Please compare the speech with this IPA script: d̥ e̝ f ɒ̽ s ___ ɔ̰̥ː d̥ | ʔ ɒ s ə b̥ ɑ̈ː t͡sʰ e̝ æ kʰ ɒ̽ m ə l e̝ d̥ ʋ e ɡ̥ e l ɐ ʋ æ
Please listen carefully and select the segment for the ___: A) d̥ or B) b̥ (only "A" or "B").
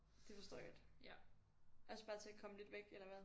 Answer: A